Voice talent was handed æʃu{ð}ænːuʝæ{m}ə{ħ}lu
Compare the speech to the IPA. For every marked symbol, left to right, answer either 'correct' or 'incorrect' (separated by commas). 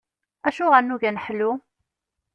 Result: incorrect, incorrect, correct